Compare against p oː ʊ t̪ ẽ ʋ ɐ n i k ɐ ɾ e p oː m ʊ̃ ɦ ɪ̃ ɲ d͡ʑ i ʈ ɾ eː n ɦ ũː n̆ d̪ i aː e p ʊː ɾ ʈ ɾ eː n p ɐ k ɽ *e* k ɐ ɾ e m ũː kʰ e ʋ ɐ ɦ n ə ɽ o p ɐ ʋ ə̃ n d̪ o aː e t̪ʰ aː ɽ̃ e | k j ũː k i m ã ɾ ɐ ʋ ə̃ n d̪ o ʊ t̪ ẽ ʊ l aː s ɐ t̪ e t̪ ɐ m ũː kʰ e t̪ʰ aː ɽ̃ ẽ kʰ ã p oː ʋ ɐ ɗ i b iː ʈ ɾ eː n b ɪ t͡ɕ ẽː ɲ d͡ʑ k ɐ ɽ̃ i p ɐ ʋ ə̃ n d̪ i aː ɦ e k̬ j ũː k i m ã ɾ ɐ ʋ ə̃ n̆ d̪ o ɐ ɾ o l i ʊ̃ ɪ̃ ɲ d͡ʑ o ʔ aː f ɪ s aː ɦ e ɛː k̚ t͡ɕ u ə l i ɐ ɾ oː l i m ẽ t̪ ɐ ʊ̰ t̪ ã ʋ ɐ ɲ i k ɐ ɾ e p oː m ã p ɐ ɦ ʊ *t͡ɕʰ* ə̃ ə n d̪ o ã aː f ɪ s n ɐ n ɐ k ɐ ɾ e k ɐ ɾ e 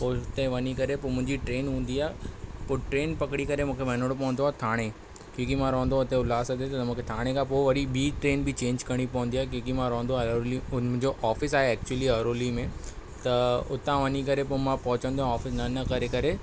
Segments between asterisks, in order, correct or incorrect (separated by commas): incorrect, incorrect